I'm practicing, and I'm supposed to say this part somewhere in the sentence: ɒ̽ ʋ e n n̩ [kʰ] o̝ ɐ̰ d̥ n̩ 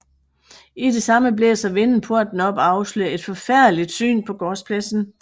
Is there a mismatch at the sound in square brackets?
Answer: yes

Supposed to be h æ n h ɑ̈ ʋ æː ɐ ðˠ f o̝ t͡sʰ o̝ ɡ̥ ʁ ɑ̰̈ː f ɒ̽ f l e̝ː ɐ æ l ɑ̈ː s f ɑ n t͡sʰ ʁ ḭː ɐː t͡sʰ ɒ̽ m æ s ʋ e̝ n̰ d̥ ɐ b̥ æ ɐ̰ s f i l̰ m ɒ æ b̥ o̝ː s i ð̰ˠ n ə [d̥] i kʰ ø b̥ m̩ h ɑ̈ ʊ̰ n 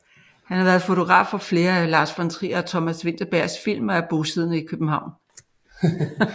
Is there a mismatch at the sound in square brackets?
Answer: yes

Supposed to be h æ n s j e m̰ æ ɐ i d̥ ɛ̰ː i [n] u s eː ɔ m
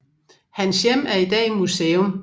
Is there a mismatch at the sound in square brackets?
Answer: yes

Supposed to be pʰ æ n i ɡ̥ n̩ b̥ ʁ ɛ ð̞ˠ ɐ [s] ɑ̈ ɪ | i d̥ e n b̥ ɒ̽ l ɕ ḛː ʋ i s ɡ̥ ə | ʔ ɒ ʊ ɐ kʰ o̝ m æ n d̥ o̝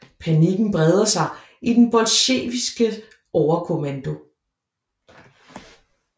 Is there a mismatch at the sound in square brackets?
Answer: no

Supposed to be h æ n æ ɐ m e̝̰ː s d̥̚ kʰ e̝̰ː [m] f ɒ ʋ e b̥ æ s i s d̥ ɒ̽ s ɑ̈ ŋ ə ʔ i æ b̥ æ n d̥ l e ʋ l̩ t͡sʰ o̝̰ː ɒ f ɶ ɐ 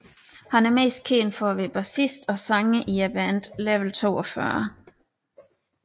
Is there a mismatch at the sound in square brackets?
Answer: yes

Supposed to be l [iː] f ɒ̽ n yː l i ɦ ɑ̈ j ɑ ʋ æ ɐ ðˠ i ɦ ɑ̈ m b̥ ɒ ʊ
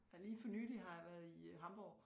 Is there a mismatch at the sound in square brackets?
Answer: no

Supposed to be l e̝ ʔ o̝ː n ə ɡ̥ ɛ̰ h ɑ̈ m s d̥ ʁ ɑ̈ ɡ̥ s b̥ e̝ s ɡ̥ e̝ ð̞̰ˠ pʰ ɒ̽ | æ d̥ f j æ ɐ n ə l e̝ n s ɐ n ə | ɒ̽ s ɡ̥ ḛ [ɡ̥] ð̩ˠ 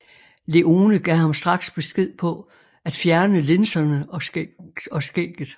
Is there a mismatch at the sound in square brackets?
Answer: no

